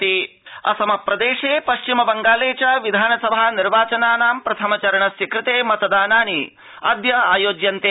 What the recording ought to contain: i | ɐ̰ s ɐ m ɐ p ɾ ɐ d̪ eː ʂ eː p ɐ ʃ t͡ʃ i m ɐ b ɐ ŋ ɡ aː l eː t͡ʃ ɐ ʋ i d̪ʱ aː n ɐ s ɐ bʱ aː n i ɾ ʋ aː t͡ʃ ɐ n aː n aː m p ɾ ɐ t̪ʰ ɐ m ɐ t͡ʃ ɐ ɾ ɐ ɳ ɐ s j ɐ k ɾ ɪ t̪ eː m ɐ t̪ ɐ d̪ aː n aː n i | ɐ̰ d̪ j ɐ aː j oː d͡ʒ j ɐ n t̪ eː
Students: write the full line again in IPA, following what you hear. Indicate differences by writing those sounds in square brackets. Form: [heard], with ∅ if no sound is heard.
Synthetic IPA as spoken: i | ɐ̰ s ɐ m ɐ p ɾ ɐ d̪ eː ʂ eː p ɐ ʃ t͡ʃ i m ɐ b ɐ ŋ ɡ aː l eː t͡ʃ ɐ ʋ i d̪ʱ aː n ɐ s ɐ bʱ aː n i ɾ ʋ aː t͡ʃ ɐ n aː n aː m p ɾ ɐ t̪ʰ ɐ m ɐ t͡ʃ ɐ ɾ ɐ ɳ ɐ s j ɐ k ɾ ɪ t̪ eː m ɐ t̪ ɐ d̪ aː n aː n i | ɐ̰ d̪ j ɐ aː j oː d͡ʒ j ɐ n t̪ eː